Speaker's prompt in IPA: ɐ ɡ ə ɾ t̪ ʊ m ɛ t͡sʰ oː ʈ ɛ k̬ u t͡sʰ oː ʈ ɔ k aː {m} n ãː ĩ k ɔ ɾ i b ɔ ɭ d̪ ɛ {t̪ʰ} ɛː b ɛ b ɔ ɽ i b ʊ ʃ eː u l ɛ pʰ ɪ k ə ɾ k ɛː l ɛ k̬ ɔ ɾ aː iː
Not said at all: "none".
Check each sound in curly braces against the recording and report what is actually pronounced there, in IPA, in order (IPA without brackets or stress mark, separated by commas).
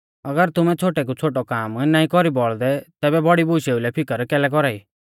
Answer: m, t̪